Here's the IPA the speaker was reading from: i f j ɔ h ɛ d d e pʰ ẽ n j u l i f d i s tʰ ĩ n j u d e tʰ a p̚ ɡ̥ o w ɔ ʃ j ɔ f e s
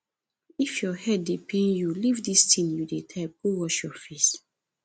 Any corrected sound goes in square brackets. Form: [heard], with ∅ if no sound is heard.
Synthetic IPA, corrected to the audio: i f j ɔ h ɛ d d e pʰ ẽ n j u l i [v] d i s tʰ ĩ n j u d e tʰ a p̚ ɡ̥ o w ɔ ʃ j ɔ f e s